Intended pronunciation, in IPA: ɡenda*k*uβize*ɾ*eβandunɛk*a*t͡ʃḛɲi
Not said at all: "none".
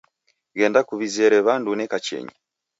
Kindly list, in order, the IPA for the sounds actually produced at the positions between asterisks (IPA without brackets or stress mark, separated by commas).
k, ɾ, a